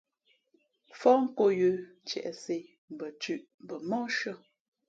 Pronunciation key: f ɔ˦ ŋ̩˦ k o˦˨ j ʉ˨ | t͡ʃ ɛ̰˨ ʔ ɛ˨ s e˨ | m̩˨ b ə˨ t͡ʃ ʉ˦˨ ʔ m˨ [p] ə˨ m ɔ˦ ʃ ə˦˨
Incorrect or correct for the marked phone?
incorrect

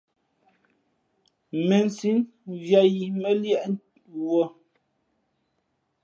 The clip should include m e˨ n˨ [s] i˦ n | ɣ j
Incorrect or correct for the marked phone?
correct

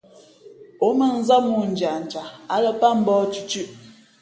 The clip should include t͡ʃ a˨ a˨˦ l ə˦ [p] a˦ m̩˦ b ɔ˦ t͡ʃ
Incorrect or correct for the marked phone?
correct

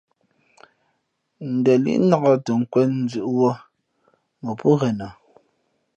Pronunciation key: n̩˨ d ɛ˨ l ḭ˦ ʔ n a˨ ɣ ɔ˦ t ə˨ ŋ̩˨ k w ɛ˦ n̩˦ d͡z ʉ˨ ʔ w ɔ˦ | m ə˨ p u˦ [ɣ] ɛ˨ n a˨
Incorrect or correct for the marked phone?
correct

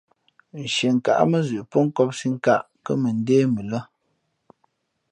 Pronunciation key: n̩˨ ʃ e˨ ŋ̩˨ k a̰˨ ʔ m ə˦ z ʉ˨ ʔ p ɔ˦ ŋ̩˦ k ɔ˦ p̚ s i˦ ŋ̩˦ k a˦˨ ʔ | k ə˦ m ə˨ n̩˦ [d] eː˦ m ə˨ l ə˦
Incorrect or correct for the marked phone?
correct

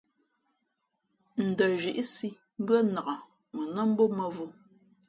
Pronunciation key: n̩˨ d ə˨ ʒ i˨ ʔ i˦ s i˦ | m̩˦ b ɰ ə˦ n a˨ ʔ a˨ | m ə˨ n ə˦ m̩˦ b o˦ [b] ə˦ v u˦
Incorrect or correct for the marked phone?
incorrect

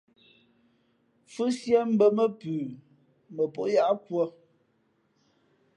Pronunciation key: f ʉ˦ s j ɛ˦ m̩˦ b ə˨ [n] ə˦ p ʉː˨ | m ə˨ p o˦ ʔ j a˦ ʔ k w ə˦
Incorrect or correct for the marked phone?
incorrect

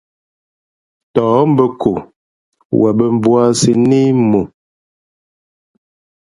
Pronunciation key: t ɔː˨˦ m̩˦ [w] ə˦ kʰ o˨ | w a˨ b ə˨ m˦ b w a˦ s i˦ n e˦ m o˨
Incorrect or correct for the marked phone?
incorrect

